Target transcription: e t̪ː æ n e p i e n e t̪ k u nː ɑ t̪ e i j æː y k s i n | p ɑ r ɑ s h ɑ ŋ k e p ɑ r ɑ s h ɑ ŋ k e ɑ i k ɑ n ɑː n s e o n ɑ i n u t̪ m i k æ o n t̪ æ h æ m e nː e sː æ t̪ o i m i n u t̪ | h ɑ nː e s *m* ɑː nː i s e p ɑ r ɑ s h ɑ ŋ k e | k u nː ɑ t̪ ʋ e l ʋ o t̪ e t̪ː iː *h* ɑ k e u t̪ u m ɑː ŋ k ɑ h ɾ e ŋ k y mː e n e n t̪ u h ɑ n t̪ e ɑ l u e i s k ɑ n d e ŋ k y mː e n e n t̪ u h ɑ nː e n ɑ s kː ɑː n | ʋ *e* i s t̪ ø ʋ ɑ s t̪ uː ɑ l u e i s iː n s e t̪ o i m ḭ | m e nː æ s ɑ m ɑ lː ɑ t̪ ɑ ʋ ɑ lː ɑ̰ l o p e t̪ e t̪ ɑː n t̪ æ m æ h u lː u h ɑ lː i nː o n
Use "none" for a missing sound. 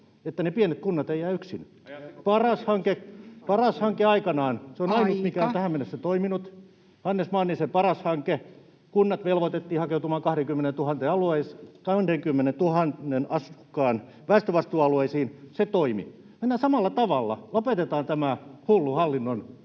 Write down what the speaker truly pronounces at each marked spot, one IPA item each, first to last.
m, h, æ

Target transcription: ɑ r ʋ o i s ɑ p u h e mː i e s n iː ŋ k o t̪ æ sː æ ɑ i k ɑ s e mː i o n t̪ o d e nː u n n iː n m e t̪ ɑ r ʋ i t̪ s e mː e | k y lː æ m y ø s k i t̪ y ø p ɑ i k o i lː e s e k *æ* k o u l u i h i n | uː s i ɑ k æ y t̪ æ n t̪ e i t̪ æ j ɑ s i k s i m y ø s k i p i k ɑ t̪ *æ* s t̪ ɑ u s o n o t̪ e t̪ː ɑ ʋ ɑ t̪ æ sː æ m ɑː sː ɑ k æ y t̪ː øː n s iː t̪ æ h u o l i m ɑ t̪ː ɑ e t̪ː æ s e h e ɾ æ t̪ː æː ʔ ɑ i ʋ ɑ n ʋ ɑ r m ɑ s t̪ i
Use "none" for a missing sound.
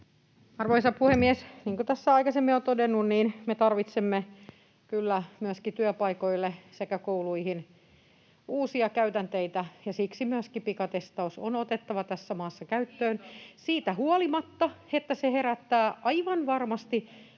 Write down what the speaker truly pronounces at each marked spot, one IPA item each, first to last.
æ, e

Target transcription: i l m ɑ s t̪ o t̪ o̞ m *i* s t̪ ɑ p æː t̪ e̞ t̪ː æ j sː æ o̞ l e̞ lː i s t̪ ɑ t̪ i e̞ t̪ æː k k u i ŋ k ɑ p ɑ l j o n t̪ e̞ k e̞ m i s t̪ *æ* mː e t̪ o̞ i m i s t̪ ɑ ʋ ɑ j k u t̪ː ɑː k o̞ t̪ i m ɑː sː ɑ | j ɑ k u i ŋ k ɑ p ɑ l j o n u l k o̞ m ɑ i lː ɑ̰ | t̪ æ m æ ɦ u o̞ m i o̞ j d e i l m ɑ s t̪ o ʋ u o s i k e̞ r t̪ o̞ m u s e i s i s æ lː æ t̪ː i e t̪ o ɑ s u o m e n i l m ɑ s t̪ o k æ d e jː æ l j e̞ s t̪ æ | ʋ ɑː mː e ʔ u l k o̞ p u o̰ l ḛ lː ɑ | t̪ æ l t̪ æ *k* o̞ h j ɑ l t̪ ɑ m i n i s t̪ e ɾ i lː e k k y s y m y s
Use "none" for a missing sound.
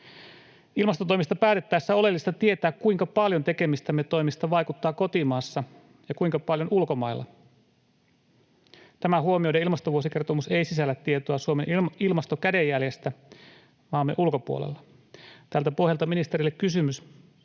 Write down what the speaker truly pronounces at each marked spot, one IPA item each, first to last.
i, æ, p

